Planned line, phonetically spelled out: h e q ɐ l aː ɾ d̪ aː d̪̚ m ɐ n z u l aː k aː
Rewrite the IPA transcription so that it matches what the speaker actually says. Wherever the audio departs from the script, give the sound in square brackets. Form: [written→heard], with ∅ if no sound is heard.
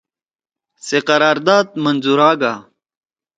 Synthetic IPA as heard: [h→s] e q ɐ [l→ɾ] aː ɾ d̪ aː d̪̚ m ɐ n z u [l→ɾ] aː [k→ɡ] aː